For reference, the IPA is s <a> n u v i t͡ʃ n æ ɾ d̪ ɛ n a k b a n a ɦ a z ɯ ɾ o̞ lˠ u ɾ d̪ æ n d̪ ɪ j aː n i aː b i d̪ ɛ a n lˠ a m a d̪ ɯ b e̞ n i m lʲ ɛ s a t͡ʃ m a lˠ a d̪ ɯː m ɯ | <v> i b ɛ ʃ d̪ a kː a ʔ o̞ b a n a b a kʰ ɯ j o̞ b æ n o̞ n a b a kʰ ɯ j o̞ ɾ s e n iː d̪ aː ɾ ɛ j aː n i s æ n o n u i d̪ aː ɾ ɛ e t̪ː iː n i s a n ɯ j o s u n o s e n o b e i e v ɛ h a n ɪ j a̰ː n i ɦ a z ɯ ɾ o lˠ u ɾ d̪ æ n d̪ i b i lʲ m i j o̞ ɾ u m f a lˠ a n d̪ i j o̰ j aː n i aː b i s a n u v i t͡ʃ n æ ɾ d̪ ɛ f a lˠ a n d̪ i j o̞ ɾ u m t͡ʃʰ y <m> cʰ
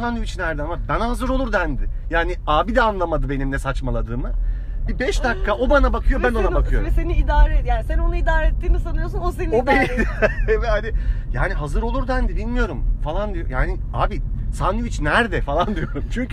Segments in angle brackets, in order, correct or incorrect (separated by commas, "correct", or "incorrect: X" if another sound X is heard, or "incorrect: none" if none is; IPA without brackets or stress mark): correct, incorrect: b, incorrect: ɲ